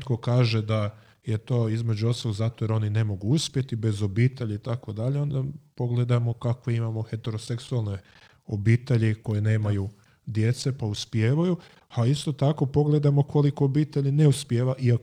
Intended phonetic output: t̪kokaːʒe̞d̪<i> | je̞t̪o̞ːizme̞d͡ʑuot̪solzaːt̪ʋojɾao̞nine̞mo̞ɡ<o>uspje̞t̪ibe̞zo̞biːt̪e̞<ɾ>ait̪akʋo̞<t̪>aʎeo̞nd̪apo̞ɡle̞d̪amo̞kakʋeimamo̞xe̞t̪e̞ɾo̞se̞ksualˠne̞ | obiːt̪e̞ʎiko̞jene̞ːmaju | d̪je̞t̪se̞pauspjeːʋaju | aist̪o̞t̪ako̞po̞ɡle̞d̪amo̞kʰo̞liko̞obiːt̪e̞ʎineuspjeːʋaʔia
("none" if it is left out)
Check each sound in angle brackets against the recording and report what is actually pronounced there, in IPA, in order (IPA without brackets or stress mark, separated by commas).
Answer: a, u, ʎ, d̪